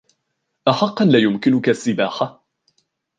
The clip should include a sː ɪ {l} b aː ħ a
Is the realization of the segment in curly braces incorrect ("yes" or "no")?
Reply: yes